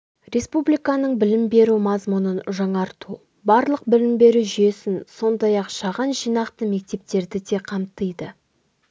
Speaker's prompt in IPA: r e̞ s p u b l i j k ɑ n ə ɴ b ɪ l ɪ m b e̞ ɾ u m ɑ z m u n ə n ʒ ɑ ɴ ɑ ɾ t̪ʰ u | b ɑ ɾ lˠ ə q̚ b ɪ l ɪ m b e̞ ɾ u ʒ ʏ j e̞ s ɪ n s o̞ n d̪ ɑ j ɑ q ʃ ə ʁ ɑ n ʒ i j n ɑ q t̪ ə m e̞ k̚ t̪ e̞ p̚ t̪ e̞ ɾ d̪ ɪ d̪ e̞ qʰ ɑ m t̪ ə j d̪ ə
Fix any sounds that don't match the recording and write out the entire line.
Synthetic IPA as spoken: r e̞ s p u b l i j k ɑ n ə ɴ b ɪ l ɪ m b e̞ ɾ u m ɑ z m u n ə n ʒ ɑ ɴ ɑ ɾ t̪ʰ u | b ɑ ɾ lˠ ə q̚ b ɪ l ɪ m b e̞ ɾ u ʒ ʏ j e̞ s ɪ n s o̞ n d̪ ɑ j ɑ q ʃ ɑ ʁ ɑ n ʒ i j n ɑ q t̪ ə m e̞ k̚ t̪ e̞ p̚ t̪ e̞ ɾ d̪ ɪ d̪ e̞ qʰ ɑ m t̪ ə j d̪ ə